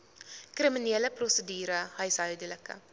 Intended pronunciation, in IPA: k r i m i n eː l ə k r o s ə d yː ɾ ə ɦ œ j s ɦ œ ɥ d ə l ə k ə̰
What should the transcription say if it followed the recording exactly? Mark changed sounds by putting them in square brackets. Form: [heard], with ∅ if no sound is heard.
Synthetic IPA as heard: k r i m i n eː l ə [p] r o s ə d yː ɾ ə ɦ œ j s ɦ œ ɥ d ə l ə k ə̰